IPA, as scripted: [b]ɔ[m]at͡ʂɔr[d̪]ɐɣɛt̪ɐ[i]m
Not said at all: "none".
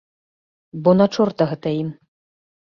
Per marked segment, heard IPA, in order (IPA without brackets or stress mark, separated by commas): b, n, t̪, i